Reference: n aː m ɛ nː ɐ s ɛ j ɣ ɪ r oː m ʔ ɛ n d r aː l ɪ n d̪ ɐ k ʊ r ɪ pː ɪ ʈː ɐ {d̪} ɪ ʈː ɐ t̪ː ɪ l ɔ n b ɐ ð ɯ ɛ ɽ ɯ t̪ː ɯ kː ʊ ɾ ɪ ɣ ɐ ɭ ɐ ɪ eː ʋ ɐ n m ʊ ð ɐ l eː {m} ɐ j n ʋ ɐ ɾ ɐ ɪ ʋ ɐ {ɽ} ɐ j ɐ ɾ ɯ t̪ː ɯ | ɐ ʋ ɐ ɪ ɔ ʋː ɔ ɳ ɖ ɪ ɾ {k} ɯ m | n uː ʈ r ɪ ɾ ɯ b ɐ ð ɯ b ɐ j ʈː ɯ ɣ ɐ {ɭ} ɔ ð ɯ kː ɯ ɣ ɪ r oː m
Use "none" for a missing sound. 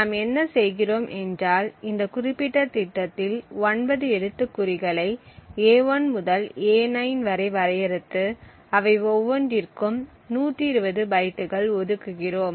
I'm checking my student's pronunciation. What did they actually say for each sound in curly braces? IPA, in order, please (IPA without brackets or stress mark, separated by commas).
t̪, n, ɾ, k, ɭ